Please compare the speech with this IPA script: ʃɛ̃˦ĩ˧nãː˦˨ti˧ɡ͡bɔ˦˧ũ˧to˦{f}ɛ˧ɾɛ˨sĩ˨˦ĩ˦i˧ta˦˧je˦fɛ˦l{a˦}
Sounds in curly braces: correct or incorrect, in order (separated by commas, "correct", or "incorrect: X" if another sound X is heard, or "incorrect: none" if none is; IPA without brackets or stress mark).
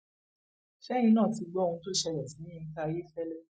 incorrect: ʃ, incorrect: ɛ˦